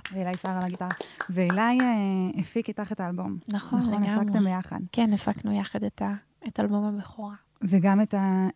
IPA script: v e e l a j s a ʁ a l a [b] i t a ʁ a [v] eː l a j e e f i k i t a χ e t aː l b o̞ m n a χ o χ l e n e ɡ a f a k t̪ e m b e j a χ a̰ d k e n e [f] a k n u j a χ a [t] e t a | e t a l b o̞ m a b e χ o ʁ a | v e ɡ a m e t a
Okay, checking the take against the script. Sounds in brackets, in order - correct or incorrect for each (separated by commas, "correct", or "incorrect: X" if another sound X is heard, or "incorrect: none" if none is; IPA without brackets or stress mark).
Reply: incorrect: ɡ, correct, correct, incorrect: d